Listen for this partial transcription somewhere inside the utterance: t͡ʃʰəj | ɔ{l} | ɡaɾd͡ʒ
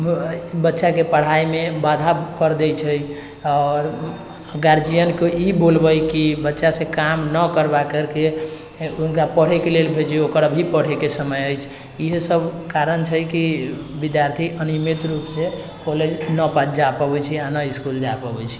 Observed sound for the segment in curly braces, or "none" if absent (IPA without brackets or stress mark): ɾ